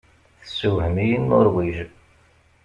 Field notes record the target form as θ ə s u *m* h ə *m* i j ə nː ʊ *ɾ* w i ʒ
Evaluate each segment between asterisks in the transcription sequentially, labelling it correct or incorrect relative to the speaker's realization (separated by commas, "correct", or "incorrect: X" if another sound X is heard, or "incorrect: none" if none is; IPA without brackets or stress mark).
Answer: incorrect: none, correct, correct